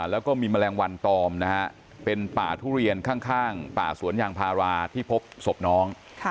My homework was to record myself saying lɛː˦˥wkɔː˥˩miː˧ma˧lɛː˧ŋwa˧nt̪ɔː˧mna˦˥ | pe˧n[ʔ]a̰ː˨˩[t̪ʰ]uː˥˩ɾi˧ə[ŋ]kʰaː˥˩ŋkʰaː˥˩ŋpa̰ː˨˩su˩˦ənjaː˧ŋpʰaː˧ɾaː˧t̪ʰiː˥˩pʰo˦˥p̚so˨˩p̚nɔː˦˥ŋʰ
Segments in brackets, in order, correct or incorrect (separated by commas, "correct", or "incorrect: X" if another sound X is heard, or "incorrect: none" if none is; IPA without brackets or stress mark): incorrect: p, correct, incorrect: n